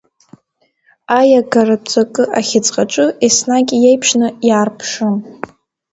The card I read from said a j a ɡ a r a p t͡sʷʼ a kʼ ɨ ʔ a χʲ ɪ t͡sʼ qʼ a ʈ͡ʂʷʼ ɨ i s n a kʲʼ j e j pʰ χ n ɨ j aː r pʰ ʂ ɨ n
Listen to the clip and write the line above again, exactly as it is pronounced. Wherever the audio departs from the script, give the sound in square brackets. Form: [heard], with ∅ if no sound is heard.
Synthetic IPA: a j a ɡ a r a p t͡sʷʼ a kʼ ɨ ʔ a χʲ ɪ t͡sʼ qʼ a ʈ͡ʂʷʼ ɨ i s n a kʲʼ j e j pʰ [ʂ] n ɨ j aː r pʰ ʂ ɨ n